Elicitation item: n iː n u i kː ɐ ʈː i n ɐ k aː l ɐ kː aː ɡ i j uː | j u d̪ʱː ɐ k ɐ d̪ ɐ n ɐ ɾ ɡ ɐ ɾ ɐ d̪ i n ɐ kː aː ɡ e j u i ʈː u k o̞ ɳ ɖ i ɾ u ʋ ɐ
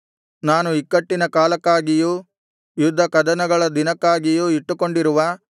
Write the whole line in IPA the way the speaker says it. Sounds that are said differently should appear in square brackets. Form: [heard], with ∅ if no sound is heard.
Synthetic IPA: n [aː] n u i kː ɐ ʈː i n ɐ k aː l ɐ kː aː ɡ i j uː | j u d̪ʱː ɐ k ɐ d̪ ɐ n ɐ [∅] ɡ ɐ [ɭ] ɐ d̪ i n ɐ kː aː ɡ [i] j u i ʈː u k o̞ ɳ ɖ i ɾ u ʋ ɐ